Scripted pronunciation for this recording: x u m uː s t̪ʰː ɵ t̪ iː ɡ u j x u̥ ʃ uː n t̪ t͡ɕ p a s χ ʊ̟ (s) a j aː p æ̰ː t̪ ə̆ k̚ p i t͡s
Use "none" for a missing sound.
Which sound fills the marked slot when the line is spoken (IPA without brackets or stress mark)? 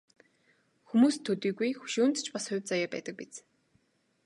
t͡s